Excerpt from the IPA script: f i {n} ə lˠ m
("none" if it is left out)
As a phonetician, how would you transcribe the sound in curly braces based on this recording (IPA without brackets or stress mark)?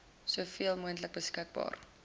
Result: none